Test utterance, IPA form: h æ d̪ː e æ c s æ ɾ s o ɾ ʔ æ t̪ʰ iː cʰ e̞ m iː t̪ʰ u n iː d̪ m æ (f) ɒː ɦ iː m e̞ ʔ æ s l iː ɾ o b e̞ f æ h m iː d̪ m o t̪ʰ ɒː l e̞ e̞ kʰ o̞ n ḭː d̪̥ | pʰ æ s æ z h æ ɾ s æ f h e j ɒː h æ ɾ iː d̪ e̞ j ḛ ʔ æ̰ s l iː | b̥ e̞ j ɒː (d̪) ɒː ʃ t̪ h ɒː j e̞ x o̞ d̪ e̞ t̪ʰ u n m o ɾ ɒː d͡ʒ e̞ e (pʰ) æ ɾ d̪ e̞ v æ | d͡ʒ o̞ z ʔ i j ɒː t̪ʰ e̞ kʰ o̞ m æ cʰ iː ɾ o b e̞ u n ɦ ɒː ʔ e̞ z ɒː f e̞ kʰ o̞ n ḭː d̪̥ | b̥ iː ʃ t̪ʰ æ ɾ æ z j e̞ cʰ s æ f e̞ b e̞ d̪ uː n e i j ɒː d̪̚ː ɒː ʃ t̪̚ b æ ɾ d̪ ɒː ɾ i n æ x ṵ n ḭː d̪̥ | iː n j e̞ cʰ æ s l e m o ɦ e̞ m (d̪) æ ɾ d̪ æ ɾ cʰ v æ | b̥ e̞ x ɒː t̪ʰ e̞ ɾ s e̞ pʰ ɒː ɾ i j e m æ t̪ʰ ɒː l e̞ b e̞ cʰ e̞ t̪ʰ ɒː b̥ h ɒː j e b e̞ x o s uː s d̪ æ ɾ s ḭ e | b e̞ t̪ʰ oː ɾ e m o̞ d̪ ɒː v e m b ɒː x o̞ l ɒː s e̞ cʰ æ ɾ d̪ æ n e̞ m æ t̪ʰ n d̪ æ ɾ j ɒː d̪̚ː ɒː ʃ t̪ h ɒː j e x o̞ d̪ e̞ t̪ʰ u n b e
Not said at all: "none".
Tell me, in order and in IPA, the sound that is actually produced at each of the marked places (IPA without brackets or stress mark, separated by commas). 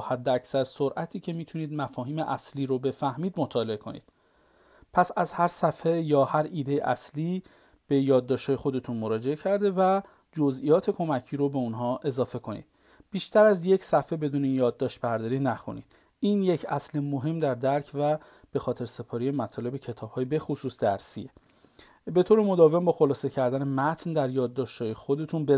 f, d̪ː, cʰ, d̪